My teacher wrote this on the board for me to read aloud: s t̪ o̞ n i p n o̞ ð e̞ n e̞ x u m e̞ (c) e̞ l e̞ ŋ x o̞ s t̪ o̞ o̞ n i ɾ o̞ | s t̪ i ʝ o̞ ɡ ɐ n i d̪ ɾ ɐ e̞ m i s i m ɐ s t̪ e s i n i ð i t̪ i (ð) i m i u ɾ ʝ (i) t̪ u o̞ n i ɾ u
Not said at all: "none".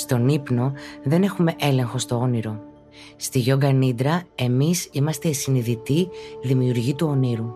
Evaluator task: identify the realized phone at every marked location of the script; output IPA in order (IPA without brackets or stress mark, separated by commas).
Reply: ʔ, ð, i